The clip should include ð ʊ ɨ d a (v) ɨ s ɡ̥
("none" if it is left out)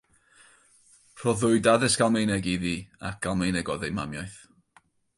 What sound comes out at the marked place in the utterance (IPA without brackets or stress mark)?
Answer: ð